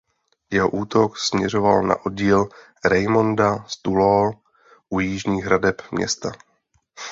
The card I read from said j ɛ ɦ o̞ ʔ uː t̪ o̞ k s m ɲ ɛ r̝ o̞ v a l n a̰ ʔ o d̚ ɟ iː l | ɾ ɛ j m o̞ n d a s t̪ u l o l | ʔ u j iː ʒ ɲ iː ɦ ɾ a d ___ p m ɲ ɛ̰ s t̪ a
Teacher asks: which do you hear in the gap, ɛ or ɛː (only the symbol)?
ɛ